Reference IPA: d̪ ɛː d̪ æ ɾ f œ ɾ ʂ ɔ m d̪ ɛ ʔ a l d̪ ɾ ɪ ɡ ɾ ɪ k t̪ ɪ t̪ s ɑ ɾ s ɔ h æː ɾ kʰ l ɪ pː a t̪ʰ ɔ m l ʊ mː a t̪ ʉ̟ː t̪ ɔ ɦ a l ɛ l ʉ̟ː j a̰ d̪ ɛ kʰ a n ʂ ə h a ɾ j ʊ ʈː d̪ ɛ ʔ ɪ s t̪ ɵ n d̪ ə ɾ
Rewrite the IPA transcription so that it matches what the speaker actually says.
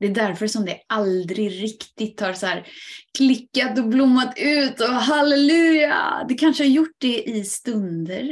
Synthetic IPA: d̪ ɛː d̪ æ ɾ f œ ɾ ʂ ɔ m d̪ ɛ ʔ a l d̪ ɾ ɪ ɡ ɾ ɪ k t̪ ɪ t̪ h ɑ ɾ s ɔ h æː ɾ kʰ l ɪ kː a t̪ ɔ b l ʊ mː a t̪ ʉ̟ː t̪ ɔ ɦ a l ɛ l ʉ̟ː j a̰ d̪ ɛ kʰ a n ʂ ə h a ɾ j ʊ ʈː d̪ ɛ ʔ ɪ s t̪ ɵ n d̪ ə ɾ